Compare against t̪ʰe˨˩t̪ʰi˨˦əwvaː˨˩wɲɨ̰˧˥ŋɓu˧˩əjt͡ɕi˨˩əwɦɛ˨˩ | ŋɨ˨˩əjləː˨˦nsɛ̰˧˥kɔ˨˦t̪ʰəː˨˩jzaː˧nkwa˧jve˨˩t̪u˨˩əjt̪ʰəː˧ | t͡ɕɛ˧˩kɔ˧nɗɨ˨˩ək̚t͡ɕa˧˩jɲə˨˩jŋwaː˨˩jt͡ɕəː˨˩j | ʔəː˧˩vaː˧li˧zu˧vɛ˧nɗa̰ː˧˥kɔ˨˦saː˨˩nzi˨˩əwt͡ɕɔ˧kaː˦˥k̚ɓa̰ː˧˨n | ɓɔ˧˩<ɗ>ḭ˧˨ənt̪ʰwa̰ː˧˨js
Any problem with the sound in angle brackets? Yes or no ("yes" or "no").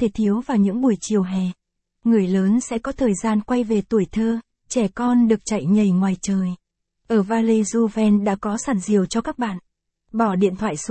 no